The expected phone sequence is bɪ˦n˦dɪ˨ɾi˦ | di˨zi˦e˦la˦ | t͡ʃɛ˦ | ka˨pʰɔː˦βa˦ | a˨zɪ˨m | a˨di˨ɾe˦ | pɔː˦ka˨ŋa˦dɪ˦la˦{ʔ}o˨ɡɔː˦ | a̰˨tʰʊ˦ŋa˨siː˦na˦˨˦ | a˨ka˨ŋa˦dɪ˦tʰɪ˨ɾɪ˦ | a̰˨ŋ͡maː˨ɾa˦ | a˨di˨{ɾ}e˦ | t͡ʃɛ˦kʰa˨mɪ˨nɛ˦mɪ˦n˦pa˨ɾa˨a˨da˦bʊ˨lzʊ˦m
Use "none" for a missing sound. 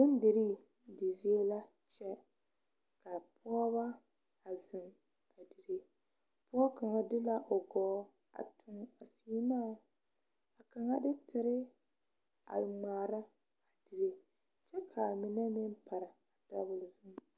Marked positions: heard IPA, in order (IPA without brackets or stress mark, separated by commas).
ʔ, ɾ